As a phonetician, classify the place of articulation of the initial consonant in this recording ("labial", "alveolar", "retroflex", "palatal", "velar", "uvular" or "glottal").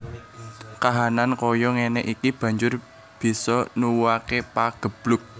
velar